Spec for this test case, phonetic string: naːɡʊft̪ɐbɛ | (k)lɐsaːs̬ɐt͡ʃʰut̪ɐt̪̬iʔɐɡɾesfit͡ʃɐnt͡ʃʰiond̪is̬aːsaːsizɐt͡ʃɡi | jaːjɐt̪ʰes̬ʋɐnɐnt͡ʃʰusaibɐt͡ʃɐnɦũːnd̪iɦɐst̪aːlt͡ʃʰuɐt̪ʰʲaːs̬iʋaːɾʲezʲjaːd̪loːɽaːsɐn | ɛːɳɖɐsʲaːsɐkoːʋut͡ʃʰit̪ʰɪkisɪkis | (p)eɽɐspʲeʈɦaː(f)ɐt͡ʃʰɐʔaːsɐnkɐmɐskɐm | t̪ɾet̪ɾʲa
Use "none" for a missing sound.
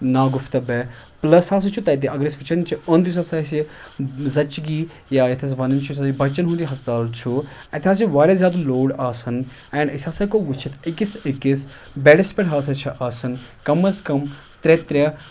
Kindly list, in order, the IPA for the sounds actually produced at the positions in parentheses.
p, b, s

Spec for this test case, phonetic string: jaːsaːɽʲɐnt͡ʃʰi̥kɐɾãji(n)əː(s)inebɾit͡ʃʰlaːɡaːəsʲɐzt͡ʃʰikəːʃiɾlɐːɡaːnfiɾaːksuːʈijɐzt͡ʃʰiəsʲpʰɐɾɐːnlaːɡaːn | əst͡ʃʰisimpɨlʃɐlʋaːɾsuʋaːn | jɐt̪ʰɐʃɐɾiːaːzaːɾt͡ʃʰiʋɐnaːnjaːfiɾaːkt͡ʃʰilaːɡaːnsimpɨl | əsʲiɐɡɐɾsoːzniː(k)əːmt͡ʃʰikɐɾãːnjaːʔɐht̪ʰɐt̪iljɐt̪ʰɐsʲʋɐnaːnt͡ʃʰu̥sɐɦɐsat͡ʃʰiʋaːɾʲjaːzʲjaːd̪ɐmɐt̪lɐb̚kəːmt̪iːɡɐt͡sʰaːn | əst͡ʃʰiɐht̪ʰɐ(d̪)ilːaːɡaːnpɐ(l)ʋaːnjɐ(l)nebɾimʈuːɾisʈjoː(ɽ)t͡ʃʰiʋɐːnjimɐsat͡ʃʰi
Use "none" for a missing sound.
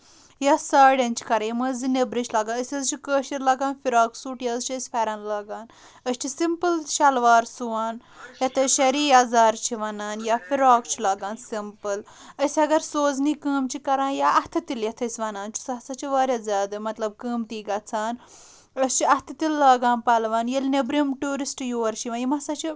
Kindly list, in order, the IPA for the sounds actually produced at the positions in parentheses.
m, z, k, t̪, l, l, ɾ

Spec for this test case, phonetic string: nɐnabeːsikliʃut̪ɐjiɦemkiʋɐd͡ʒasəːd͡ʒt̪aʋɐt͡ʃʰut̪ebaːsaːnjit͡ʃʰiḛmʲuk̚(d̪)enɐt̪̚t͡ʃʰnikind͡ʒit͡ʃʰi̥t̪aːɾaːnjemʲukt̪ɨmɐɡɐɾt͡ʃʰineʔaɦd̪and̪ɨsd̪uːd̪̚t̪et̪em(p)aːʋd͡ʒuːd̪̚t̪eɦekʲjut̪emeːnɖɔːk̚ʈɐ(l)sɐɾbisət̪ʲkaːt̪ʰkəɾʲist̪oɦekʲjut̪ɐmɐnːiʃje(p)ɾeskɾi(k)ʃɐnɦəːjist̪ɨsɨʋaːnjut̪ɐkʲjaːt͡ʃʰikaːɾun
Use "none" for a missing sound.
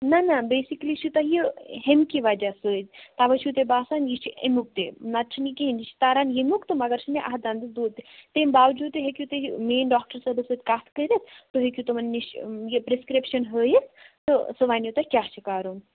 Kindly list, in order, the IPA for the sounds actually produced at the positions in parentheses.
t̪, b, ɾ, p, p

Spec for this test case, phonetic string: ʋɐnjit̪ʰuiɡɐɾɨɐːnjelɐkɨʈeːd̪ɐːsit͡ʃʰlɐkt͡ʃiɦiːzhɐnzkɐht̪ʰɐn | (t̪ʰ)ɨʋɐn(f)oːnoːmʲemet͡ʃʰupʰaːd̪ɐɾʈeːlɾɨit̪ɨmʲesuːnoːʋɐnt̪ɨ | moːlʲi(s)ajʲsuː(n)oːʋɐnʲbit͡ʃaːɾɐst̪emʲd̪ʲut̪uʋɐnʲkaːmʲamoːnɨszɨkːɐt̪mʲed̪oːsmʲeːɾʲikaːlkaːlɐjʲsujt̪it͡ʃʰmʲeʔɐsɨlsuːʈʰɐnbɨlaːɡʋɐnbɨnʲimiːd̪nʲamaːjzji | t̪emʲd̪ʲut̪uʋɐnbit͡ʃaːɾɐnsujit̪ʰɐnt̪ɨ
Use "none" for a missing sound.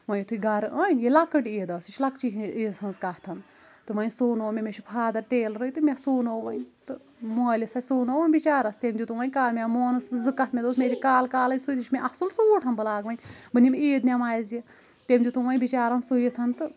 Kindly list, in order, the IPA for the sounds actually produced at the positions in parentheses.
t̪, s, s, n

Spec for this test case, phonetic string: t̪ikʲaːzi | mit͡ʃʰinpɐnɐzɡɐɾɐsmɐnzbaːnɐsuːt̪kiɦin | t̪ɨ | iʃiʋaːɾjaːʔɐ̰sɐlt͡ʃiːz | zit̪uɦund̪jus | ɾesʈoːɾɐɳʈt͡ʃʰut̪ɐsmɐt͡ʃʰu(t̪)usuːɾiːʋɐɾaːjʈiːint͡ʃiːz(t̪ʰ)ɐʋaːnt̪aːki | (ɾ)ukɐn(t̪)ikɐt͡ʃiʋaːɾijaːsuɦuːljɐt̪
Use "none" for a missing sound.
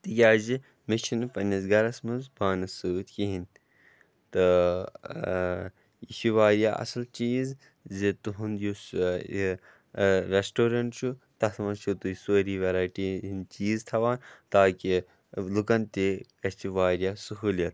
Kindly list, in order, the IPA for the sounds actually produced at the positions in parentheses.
t̪, t̪ʰ, l, t̪

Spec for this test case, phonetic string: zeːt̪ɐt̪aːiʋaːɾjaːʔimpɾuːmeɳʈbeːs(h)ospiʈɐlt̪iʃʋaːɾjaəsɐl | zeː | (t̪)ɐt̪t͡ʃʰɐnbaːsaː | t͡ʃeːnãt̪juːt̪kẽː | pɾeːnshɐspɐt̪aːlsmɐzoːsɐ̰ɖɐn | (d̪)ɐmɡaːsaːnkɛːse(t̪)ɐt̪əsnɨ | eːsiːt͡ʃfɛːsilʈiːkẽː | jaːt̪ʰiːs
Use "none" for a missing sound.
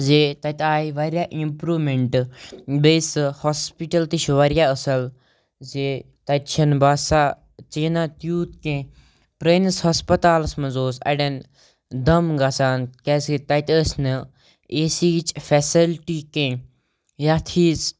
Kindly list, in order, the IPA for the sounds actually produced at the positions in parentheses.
h, t̪, d̪, t̪

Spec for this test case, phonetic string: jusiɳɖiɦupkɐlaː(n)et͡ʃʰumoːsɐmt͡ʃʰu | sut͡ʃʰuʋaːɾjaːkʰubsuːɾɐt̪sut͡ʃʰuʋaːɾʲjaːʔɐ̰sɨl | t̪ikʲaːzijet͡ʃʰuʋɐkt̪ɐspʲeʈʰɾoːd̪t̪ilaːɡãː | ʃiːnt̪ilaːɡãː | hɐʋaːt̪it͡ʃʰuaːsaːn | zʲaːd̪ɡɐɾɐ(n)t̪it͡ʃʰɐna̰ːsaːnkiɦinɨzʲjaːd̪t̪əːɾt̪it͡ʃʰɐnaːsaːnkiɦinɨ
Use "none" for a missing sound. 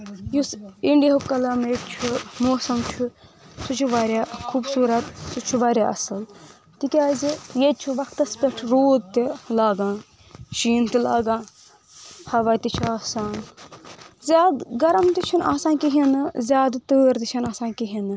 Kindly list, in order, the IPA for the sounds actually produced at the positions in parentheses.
m, m

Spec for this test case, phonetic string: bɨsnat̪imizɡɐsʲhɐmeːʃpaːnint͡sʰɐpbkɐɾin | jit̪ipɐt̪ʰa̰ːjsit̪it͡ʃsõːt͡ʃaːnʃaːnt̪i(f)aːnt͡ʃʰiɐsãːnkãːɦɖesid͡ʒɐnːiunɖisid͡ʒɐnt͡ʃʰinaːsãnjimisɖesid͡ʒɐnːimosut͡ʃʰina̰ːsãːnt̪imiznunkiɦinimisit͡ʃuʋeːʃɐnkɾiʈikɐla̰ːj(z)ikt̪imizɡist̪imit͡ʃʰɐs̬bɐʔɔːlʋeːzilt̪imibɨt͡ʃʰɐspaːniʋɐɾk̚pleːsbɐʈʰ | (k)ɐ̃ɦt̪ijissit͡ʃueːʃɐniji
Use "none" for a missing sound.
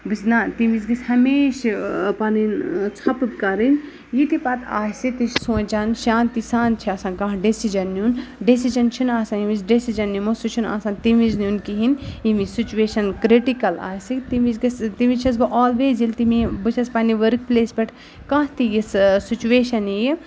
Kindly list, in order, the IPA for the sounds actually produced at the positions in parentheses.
s, s, k

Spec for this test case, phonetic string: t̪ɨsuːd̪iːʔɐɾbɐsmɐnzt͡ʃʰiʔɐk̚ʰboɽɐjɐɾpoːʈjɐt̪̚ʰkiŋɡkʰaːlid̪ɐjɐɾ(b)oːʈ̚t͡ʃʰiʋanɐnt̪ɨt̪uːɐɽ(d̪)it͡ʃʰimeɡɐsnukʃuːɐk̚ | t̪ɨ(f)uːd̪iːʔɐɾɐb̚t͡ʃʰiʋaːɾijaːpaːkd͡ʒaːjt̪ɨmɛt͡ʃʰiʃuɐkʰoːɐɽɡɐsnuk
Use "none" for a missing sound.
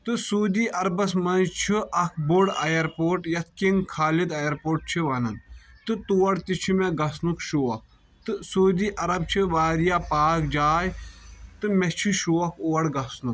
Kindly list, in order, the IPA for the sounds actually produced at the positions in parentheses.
p, t̪, s

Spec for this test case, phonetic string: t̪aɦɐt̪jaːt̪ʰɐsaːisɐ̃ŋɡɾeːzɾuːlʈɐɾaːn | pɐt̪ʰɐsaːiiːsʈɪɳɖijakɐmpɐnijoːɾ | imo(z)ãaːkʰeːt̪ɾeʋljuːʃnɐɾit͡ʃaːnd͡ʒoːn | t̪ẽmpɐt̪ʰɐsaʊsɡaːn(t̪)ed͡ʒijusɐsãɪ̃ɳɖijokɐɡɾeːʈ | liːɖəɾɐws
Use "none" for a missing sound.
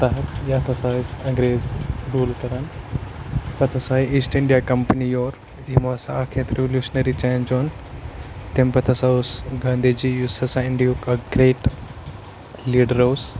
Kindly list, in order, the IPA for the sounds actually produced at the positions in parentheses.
s, d̪

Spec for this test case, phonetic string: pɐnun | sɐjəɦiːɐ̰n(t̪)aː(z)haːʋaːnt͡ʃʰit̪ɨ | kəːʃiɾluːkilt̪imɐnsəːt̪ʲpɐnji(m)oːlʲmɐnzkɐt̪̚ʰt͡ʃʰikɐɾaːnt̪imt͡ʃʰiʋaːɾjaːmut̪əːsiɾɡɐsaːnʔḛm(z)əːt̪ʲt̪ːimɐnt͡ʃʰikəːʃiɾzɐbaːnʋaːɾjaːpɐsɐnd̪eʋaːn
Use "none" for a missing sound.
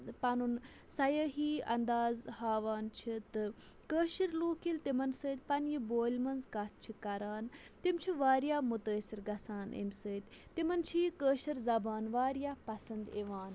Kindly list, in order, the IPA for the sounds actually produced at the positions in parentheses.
d̪, z, b, s

